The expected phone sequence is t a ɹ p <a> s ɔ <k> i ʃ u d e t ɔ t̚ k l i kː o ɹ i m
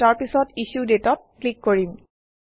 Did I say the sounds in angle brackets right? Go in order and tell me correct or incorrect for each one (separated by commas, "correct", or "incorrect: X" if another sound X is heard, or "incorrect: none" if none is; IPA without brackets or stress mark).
incorrect: i, incorrect: t